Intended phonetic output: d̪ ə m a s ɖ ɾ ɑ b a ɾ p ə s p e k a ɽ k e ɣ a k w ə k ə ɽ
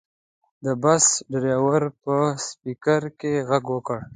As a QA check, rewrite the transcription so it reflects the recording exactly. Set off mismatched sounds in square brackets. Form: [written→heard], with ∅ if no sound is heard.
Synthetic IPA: d̪ ə [m→b] a s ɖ ɾ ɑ [b→w] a ɾ p ə s p [e→i] k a [ɽ→ɾ] k e ɣ a [k→ɡ] w ə k ə ɽ